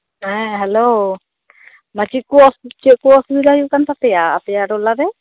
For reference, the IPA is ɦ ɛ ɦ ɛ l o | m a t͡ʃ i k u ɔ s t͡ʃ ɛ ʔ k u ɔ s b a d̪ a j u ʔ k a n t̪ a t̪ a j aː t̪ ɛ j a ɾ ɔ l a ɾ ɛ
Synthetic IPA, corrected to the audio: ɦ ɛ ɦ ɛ l o | m a t͡ʃ i k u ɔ s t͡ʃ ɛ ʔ k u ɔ s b i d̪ a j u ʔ k a n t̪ a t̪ ɛ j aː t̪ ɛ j a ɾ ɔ l a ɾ ɛ